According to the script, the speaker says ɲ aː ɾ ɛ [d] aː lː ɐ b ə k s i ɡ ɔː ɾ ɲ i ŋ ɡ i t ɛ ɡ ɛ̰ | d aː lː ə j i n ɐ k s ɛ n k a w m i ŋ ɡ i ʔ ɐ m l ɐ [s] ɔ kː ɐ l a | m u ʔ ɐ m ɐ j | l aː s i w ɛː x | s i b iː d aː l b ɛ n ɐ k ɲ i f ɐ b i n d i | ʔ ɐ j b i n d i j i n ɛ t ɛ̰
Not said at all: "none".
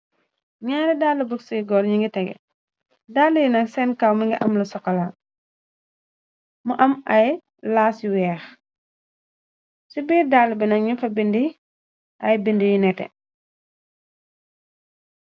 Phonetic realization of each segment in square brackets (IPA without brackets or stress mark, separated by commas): d, s